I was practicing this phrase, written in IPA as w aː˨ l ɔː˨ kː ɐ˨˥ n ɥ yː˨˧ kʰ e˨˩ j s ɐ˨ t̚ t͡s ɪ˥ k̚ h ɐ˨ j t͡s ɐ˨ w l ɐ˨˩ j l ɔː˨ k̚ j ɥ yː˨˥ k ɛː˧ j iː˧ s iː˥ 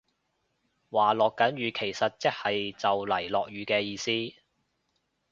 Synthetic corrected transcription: w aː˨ l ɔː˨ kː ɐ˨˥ n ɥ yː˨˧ kʰ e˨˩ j s ɐ˨ t̚ t͡s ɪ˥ k̚ h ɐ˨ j t͡s ɐ˨ w l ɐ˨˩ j l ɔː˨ k̚ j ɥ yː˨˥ k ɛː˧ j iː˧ s iː˥